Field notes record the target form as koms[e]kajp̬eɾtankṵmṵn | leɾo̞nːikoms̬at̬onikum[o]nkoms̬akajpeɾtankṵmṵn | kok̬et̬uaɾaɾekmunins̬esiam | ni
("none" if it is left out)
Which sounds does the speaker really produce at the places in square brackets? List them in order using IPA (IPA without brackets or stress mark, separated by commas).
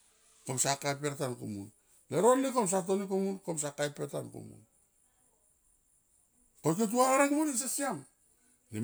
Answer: a, u